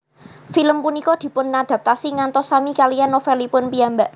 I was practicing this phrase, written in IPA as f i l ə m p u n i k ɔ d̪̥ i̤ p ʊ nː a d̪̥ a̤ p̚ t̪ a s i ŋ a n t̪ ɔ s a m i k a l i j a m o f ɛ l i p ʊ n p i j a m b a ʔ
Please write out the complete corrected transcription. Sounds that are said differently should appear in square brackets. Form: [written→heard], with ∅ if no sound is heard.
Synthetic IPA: f i l ə m p u n i k ɔ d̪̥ i̤ p ʊ nː a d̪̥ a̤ p̚ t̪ a s i ŋ a n t̪ ɔ s a m i k a l i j a [m→n] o f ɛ l i p ʊ n p i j a m b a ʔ